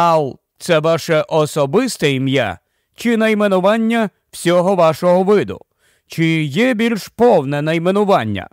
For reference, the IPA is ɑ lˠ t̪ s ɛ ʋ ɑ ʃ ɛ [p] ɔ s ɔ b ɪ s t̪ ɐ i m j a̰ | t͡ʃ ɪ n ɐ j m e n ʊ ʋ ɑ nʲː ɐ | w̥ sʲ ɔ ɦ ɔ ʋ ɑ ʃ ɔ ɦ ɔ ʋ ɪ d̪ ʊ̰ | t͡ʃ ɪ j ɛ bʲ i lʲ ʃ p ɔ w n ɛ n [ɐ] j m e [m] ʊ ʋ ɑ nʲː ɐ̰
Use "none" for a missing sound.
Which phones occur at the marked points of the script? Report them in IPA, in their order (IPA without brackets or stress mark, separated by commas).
ʔ, ɐ, n